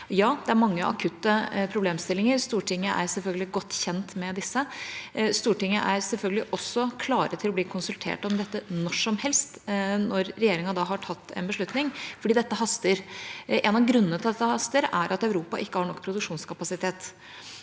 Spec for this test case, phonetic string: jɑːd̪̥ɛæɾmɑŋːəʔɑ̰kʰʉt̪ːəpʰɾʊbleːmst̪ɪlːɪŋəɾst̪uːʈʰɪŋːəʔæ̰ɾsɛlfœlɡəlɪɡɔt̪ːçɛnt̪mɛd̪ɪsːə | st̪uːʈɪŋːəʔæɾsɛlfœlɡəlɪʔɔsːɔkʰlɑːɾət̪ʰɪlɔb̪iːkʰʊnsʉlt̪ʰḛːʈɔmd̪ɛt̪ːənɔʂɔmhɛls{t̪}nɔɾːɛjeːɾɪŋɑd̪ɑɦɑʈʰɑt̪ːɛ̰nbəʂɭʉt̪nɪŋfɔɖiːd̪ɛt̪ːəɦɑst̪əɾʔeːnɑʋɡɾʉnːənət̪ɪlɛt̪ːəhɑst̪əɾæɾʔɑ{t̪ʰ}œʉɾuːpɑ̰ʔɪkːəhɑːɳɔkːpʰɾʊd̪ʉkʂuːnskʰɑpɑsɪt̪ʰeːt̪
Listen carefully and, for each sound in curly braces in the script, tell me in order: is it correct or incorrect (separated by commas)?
correct, incorrect